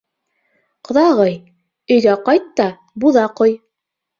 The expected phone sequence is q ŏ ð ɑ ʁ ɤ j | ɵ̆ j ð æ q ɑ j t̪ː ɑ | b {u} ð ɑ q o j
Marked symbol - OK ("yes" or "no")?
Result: yes